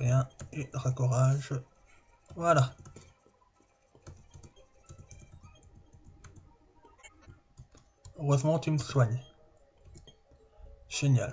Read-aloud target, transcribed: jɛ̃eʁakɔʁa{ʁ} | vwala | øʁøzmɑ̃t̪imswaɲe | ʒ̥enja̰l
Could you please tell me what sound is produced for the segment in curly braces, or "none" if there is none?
ʒ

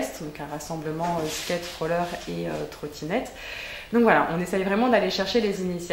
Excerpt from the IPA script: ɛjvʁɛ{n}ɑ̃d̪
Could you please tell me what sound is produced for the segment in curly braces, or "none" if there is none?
m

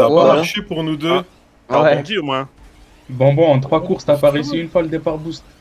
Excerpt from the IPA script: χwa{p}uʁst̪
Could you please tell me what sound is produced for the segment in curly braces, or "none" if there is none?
k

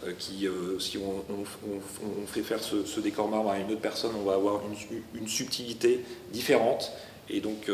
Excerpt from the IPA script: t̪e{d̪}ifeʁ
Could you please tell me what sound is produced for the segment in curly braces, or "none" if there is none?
d̪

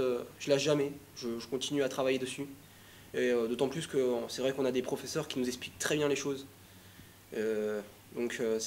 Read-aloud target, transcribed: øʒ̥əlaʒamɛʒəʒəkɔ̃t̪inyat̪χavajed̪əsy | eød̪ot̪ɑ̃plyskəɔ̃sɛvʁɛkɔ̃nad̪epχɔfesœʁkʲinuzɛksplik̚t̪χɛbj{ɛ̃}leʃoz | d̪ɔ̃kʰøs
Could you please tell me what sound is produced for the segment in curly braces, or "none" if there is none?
ɛ̃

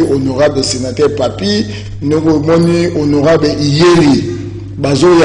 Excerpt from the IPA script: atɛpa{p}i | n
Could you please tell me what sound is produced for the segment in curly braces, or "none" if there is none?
p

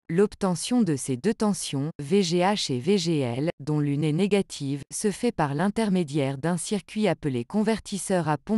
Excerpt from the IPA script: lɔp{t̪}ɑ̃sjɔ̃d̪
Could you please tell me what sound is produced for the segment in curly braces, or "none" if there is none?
t̪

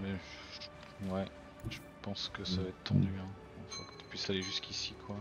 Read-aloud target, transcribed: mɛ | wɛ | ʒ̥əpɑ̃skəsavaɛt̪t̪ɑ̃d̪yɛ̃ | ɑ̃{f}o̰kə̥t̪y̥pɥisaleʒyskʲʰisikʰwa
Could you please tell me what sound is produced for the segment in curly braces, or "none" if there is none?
f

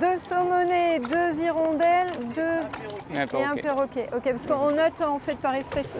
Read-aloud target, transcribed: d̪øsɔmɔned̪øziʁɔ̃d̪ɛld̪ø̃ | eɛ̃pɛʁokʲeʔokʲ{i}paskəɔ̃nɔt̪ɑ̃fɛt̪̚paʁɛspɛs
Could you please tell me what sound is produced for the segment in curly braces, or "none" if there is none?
e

